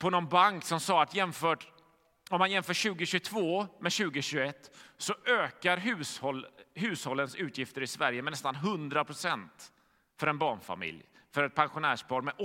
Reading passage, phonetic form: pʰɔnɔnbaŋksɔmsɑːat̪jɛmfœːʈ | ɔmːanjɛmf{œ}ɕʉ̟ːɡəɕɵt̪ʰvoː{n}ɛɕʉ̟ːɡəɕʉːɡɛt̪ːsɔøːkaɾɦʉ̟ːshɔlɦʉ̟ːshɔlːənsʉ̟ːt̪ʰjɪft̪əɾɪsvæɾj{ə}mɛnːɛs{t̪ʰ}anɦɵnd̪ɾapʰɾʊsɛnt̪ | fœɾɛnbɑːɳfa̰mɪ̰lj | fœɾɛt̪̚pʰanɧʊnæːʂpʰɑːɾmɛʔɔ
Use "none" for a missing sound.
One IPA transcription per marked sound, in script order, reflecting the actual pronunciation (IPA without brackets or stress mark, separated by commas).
œː, m, ə, t̪